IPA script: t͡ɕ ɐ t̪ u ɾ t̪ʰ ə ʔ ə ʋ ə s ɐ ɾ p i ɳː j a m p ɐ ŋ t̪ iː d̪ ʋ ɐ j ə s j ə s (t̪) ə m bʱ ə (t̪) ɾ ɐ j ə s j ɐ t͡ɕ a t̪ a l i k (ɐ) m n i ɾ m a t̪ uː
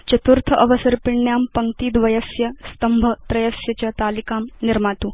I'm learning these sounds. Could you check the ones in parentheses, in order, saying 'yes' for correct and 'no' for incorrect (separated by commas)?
yes, yes, no